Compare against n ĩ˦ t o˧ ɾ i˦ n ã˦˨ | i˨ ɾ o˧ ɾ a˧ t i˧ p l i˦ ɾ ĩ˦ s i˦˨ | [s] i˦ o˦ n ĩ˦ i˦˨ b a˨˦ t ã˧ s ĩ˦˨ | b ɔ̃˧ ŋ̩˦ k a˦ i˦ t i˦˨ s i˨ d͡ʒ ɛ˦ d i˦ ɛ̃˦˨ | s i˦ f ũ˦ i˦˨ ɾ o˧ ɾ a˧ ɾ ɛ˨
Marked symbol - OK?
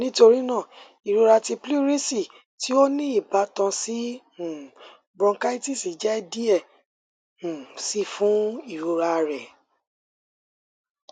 no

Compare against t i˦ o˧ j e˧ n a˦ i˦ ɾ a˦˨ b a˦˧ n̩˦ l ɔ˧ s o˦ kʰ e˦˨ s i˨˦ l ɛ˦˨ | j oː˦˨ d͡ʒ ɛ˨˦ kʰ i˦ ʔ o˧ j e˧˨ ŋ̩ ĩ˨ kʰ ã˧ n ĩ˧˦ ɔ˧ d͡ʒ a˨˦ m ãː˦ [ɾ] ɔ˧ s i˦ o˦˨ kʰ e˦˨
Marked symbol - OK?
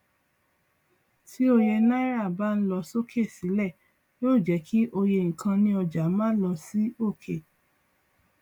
no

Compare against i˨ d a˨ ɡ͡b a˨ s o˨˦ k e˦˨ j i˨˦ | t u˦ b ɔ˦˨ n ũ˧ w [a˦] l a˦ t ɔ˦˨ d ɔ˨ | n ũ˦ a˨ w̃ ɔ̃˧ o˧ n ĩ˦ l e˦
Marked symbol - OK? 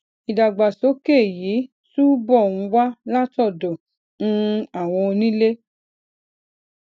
yes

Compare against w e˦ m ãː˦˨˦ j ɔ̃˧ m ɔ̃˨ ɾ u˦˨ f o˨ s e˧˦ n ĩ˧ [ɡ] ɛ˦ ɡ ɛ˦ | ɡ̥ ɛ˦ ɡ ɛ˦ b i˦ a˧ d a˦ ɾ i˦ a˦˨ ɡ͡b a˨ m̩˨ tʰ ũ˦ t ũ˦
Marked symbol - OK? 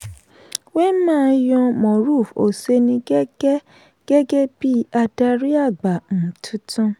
yes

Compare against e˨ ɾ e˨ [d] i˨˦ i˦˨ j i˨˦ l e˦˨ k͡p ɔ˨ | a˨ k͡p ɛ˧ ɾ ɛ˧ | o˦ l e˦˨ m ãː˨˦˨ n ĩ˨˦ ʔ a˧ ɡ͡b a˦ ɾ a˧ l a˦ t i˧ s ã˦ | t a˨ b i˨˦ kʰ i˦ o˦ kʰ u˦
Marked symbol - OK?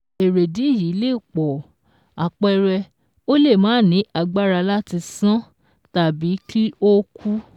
yes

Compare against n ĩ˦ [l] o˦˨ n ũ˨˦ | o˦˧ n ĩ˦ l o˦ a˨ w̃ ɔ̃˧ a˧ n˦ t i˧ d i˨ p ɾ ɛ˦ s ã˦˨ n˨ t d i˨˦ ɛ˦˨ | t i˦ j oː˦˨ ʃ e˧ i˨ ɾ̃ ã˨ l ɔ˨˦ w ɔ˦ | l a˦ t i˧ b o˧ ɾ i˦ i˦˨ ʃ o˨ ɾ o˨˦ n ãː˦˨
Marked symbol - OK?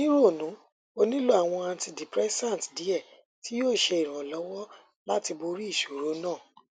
no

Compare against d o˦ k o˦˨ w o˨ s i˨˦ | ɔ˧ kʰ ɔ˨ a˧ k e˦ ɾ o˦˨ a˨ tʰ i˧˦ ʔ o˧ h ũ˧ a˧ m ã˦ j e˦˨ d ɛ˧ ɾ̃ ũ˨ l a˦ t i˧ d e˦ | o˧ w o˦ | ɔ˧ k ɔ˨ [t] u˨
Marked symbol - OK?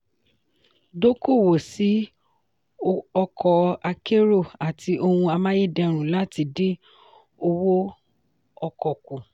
no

